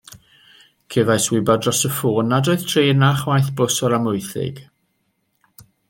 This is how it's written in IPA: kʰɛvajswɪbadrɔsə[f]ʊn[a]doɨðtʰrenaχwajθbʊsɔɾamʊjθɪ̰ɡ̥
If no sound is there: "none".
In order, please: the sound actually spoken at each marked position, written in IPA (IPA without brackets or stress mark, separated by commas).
f, a